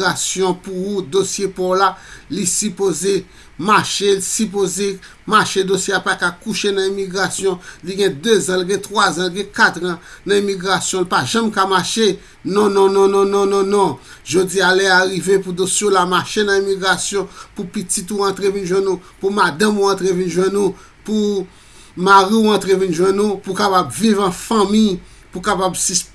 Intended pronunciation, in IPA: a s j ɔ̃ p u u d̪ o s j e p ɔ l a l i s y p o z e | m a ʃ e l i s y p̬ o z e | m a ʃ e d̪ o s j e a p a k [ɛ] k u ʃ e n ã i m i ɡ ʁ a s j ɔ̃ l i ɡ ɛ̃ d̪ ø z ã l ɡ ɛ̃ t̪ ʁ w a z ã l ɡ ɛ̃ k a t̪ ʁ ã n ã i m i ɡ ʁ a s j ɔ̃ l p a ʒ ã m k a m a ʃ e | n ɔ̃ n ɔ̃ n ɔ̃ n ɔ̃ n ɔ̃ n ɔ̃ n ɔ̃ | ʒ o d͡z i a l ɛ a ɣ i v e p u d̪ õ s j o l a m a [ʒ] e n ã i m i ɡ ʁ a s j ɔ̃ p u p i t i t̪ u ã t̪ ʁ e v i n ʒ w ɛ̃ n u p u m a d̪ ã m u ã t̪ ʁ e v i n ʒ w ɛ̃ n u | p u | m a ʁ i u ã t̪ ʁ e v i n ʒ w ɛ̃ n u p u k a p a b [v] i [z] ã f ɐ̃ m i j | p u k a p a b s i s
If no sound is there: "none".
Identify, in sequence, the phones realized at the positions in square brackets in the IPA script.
a, ʃ, v, v

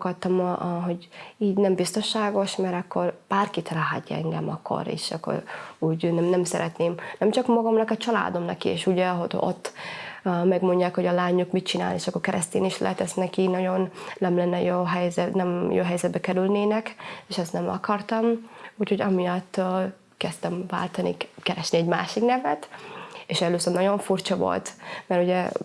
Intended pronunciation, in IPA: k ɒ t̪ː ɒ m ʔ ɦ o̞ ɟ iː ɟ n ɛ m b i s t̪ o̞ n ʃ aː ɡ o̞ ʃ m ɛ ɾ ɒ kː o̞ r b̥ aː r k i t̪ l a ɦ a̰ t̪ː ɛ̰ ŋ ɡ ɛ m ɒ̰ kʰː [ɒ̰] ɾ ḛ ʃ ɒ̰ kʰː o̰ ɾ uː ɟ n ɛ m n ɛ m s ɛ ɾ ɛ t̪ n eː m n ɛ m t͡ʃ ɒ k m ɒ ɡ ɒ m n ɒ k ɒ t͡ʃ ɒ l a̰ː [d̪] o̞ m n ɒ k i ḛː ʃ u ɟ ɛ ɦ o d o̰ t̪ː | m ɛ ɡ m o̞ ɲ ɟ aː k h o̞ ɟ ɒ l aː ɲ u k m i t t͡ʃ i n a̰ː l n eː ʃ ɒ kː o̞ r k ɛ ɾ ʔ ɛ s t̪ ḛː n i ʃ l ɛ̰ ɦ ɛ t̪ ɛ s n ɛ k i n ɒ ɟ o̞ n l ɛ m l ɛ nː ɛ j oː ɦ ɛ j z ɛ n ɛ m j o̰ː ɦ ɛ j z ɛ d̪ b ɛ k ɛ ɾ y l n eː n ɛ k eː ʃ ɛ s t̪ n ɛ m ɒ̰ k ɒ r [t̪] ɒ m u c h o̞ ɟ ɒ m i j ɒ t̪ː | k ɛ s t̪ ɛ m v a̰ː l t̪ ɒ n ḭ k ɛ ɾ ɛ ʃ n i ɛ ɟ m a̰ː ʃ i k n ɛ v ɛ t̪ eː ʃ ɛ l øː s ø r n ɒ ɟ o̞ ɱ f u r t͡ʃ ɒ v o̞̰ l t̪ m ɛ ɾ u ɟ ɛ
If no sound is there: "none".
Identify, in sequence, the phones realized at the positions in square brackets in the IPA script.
o̰, d̪, t̪

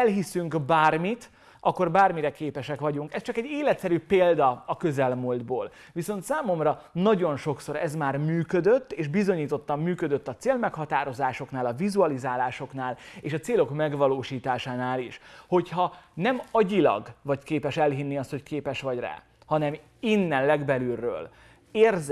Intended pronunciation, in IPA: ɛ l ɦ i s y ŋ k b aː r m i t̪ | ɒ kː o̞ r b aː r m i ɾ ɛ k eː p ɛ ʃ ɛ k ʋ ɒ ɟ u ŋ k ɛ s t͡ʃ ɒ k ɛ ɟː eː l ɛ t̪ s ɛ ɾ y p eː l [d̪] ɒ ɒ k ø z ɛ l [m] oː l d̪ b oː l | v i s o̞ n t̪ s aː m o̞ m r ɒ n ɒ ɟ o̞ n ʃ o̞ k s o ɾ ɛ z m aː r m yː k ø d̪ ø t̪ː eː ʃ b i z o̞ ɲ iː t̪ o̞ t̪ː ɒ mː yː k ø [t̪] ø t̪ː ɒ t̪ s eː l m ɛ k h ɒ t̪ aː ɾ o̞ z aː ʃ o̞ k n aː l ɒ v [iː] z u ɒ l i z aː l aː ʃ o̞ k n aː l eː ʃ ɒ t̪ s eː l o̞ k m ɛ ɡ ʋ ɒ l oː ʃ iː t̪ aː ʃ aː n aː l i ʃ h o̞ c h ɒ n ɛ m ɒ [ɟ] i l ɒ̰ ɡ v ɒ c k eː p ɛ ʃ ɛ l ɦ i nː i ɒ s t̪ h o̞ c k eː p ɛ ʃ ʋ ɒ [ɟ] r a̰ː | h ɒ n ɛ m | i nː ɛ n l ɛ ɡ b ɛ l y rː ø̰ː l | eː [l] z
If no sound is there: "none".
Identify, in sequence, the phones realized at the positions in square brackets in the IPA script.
d̪, m, d̪, i, ɟ, ɟ, r

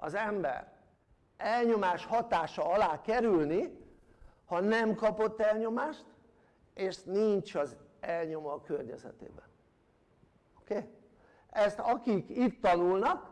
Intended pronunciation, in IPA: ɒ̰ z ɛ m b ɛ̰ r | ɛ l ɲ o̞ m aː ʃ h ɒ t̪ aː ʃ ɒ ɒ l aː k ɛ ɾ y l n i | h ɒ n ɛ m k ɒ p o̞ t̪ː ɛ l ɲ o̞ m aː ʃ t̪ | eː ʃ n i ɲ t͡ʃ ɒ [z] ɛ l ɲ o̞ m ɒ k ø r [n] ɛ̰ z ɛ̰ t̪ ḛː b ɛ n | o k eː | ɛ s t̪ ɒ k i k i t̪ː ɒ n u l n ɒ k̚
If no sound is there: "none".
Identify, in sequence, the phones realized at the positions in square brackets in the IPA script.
z, ɲ

